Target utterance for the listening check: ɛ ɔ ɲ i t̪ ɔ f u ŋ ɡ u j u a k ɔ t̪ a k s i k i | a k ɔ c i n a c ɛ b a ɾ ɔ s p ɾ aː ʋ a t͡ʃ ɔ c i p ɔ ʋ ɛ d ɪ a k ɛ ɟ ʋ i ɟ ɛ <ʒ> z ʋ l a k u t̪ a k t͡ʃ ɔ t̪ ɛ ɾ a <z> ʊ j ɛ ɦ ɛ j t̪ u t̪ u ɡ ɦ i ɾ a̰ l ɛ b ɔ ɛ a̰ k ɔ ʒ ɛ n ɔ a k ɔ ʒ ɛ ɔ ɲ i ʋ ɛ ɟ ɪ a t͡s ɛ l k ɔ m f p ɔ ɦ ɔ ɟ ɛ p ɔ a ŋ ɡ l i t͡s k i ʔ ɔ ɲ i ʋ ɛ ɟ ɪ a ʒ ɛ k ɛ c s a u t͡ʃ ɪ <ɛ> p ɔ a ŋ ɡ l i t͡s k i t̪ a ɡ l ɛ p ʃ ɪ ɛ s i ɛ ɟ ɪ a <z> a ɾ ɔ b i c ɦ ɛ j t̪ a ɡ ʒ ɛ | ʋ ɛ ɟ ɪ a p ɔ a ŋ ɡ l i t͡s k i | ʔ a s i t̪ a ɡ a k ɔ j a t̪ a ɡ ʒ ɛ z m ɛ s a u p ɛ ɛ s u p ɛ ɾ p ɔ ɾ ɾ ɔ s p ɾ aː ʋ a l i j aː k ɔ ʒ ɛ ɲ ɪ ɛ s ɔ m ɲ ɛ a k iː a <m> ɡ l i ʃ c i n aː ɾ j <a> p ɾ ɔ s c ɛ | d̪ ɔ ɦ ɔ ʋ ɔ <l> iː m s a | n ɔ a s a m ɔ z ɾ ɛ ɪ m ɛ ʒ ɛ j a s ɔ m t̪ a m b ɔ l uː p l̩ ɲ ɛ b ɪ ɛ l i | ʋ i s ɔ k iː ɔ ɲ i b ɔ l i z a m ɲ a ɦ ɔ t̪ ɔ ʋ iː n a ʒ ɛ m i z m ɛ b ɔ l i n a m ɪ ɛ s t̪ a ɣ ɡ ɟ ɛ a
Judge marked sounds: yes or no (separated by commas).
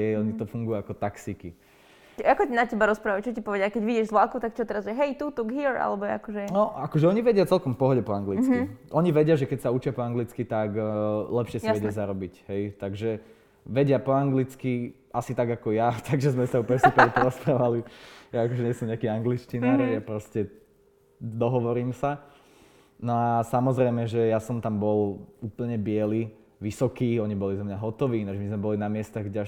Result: yes, yes, no, yes, no, yes, no